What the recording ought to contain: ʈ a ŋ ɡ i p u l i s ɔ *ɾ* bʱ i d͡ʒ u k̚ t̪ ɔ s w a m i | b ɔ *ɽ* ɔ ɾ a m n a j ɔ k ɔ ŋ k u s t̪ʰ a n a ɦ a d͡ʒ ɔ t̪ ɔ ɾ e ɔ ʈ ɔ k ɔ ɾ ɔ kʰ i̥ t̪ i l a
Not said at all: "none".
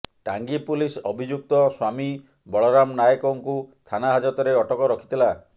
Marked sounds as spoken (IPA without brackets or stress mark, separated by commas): none, ɭ